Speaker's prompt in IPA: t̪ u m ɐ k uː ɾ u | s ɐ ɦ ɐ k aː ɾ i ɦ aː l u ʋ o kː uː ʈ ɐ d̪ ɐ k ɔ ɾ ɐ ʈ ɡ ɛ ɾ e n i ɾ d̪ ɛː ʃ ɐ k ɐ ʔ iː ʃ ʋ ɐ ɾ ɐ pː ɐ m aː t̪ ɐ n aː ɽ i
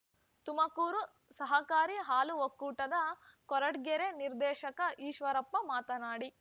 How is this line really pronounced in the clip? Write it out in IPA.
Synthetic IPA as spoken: t̪ u m ɐ k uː ɾ u | s ɐ ɦ ɐ k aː ɾ i ɦ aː l u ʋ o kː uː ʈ ɐ d̪ ɐ k ɔ ɾ ɐ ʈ ɡ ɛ ɾ e n i ɾ d̪ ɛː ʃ ɐ k ɐ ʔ iː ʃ ʋ ɐ ɾ ɐ pː ɐ m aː t̪ ɐ n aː ɽ i